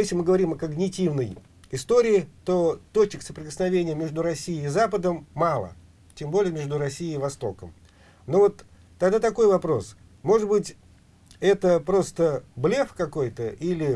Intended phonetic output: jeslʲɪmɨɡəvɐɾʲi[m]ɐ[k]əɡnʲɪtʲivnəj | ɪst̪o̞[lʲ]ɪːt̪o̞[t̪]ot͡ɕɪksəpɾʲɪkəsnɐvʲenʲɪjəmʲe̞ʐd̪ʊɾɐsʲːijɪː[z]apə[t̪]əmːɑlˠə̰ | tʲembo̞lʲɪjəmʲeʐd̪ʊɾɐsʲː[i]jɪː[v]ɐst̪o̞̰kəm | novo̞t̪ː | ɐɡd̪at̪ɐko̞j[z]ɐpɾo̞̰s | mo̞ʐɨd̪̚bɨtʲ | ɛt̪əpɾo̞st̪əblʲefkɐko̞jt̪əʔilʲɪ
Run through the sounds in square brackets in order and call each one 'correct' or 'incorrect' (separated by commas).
correct, correct, incorrect, correct, correct, incorrect, correct, correct, incorrect